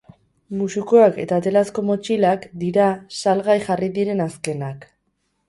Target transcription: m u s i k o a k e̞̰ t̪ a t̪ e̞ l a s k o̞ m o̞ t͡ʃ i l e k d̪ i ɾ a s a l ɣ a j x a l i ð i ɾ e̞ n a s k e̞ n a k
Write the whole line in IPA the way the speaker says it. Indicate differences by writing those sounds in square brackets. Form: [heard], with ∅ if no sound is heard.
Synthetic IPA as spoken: m u s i k o a k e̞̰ t̪ a t̪ e̞ l a s k o̞ m o̞ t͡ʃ i l [a] k d̪ i ɾ a s a l ɣ a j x a [r] i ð i ɾ e̞ n a s k e̞ n a k